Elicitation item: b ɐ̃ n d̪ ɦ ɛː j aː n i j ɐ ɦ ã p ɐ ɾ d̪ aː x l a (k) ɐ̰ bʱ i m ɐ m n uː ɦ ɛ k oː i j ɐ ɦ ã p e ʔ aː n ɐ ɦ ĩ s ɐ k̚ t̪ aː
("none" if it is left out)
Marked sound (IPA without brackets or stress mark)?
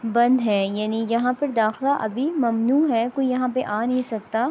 ʔ